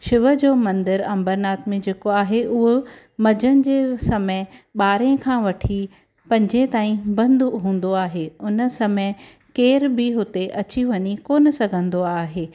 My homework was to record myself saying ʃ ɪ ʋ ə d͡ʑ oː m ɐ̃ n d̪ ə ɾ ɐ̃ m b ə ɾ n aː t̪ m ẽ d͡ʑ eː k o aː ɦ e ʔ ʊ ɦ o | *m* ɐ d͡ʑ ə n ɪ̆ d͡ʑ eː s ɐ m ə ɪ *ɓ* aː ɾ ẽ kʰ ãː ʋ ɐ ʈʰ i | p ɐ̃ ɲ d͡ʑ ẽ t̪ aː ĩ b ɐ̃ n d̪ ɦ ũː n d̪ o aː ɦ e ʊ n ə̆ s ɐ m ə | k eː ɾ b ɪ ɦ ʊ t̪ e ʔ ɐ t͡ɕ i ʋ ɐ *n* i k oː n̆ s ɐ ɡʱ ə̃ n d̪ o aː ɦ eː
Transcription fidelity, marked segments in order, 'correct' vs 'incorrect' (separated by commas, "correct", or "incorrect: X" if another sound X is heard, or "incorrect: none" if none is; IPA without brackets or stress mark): correct, correct, incorrect: ɲ